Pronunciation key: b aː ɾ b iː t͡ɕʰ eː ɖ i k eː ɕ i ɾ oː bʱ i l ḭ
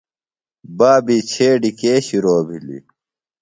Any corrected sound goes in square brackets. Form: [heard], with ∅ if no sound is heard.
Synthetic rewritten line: b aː [∅] b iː t͡ɕʰ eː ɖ i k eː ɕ i ɾ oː bʱ i l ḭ